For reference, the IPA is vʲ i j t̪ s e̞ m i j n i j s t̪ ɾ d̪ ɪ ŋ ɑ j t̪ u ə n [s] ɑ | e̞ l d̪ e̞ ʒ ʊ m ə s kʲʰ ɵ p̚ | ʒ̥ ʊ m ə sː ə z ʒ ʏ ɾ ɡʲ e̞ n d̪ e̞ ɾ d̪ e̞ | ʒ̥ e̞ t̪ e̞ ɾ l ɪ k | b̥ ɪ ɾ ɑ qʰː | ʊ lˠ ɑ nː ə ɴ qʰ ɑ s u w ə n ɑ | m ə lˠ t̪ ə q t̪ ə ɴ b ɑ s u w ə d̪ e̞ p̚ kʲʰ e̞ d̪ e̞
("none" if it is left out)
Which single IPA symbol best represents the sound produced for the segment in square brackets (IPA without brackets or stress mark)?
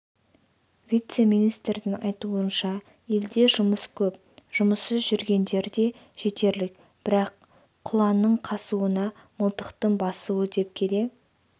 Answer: ʃ